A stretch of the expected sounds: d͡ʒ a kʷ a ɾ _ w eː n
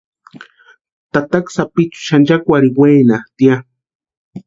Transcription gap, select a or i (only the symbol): i